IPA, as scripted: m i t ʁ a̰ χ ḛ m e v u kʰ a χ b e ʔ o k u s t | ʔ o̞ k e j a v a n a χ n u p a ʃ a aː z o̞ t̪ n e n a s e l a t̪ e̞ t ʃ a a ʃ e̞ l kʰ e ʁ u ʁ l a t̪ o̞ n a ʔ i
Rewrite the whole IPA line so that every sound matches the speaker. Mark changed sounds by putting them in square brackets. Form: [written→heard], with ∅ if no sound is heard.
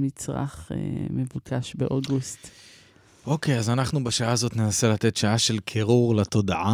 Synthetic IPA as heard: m i [t→t͡s] ʁ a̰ χ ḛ m e v u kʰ a [χ→ʃ] b e ʔ o [k→ɡ] u s t | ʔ o̞ k e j a [v→z] a n a χ n u [p→b] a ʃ a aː z o̞ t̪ n e n a s e l a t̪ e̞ t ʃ a a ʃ e̞ l kʰ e ʁ u ʁ l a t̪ o̞ [n→d] a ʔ [i→a]